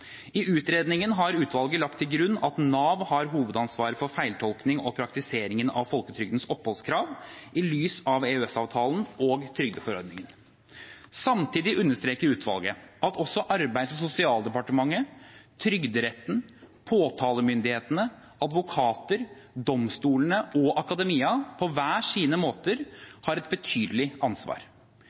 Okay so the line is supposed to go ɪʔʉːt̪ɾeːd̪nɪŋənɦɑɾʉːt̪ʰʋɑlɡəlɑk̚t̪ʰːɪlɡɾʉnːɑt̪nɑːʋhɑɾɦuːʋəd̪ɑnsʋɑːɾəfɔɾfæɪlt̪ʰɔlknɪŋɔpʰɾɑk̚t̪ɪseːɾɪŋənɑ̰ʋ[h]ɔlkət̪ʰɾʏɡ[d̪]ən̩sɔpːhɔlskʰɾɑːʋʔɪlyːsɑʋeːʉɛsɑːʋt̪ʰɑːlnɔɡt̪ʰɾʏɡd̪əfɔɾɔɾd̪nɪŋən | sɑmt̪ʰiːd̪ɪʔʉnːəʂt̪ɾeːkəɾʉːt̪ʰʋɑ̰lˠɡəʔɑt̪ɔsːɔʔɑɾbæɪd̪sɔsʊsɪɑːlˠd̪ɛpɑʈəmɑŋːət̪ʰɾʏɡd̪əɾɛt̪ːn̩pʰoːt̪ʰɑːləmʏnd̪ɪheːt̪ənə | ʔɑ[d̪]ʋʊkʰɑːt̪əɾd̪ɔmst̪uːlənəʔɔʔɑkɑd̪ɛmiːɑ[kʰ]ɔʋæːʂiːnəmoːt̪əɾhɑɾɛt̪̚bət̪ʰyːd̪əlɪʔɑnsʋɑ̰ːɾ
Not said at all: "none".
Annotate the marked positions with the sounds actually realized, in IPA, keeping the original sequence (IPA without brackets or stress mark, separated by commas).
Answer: f, d̪, d̪, pʰ